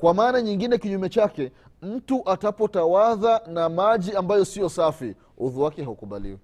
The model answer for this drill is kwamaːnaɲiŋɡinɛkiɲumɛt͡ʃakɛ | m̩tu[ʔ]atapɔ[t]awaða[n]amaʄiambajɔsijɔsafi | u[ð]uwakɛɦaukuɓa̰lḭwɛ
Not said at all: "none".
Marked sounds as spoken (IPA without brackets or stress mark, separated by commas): ʔ, t, n, ð